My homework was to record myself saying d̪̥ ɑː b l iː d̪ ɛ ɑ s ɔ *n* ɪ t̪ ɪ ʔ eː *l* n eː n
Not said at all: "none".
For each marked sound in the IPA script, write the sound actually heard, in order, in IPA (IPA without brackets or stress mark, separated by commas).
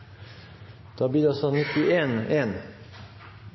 n, none